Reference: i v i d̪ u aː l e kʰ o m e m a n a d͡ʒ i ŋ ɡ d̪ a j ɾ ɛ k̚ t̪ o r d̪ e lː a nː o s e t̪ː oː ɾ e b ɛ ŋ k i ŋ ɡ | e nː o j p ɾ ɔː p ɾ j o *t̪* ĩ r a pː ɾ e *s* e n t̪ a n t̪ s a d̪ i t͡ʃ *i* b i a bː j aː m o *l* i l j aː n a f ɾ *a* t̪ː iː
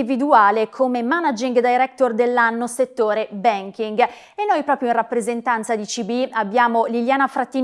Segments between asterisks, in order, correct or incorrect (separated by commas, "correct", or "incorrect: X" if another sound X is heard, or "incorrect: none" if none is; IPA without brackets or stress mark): incorrect: none, incorrect: z, correct, correct, correct